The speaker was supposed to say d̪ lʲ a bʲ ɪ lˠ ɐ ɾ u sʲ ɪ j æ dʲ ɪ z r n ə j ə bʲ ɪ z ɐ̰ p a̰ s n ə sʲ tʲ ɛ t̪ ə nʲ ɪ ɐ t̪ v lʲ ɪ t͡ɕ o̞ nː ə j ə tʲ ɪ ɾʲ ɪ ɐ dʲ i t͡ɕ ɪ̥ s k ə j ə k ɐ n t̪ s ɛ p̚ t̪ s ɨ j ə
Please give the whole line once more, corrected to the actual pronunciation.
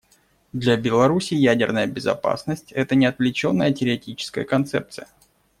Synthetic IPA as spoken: d̪ lʲ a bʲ ɪ lˠ ɐ ɾ u sʲ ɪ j æ dʲ ɪ r n ə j ə bʲ ɪ z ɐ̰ p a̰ s n ə sʲ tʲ ɛ t̪ ə nʲ ɪ ɐ t̪ v lʲ ɪ t͡ɕ o̞ nː ə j ə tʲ ɪ ɾʲ ɪ ɐ tʲ i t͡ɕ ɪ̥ s k ə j ə k ɐ n t̪ s ɛ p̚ t̪ s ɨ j ə